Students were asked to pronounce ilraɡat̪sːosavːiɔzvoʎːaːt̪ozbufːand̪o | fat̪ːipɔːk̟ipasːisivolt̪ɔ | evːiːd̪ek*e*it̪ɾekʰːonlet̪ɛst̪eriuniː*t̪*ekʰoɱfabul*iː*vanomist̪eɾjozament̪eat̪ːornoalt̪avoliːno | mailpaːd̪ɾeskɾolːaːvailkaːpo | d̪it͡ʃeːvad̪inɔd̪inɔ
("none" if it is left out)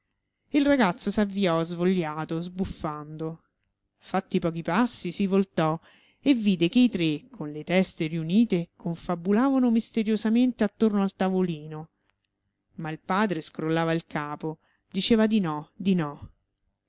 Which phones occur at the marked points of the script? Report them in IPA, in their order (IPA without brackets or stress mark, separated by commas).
e, t̪, aː